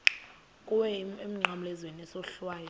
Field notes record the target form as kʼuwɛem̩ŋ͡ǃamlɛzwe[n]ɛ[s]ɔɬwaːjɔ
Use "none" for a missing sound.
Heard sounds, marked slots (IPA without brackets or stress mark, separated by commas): n, s